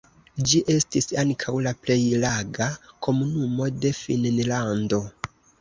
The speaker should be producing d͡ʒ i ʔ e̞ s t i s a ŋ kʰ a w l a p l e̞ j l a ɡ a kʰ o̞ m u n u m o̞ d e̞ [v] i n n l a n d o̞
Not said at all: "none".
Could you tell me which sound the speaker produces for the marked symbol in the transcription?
f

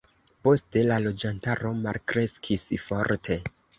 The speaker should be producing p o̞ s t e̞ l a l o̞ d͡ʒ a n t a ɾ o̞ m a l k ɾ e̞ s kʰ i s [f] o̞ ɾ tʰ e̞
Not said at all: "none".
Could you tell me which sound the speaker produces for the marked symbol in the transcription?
f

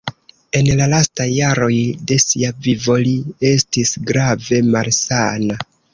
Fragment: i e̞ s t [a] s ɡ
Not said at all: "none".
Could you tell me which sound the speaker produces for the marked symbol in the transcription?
i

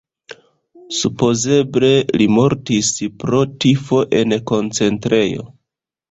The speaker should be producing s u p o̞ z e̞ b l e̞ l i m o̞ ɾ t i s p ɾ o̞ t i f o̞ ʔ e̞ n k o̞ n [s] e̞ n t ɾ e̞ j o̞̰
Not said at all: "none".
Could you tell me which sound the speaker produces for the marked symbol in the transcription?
t͡s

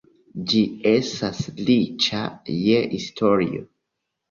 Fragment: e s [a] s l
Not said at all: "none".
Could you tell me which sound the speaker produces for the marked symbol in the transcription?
a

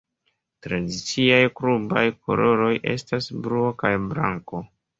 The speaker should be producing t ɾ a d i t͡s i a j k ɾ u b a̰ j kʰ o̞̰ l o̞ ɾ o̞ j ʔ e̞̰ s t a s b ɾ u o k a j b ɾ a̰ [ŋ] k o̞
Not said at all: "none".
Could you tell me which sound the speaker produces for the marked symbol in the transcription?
ŋ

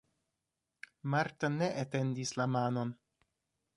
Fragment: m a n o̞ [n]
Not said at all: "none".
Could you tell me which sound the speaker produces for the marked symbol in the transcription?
n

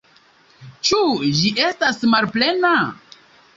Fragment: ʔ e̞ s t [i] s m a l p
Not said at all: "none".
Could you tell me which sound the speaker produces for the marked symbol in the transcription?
a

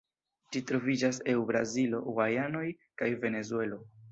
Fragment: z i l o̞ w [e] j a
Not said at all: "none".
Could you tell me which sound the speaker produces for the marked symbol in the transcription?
a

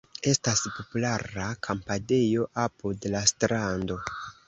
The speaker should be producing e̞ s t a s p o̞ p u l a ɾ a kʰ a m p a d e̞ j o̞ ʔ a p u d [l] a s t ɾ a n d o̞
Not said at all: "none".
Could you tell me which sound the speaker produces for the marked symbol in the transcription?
l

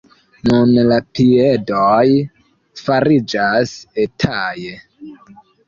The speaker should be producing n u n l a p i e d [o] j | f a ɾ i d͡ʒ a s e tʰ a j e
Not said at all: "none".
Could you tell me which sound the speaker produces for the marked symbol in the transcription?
o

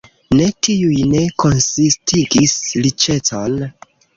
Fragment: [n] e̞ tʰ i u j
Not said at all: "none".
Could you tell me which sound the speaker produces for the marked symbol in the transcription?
n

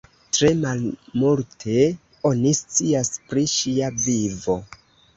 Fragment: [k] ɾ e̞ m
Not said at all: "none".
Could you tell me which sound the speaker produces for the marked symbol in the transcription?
t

